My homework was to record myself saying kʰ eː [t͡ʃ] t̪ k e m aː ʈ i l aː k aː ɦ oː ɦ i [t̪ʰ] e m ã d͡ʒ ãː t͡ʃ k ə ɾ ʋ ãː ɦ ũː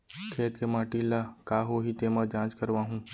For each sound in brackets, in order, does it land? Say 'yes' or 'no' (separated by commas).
no, no